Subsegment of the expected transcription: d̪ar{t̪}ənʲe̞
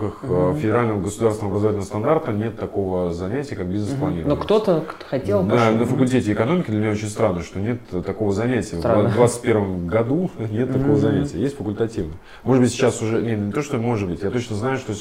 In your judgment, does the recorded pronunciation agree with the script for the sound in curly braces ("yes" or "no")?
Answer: yes